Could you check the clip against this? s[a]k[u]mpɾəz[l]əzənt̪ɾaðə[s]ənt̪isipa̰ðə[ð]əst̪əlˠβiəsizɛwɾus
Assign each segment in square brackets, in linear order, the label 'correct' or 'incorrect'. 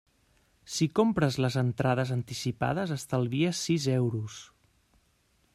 incorrect: i, incorrect: o, correct, incorrect: z, incorrect: z

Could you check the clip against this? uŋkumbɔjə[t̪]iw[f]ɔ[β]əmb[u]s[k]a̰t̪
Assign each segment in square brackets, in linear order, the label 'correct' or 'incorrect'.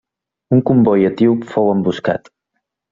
correct, correct, incorrect: w, correct, correct

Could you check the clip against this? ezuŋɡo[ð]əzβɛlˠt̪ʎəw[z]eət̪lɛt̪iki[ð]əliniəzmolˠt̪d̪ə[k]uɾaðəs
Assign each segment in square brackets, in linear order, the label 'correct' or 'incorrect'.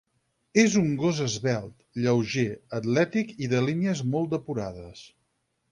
incorrect: z, incorrect: ʒ, correct, incorrect: p

